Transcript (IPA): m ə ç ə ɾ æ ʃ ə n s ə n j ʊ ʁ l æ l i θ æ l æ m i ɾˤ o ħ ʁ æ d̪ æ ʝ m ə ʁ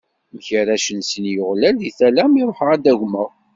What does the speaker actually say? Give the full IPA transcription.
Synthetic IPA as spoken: m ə ç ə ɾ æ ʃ ə n s ə n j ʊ ʁ l æ l i θ æ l æ m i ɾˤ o ħ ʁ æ d̪ æ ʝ m ə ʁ